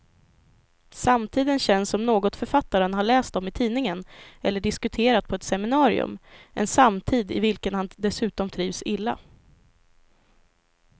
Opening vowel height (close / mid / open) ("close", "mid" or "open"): open